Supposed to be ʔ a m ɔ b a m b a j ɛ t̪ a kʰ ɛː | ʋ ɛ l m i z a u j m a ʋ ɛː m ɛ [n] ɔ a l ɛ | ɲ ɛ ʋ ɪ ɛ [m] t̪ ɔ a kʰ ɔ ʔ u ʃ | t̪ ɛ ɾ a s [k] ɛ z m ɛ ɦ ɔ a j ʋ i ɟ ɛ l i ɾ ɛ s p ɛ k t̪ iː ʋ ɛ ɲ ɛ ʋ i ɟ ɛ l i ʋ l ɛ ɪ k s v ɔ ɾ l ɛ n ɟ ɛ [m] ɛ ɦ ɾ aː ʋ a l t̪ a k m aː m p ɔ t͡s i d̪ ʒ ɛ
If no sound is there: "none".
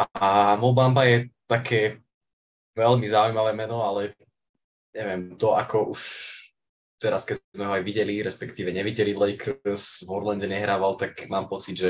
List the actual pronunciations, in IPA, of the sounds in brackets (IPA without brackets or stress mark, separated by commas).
n, m, k, ɲ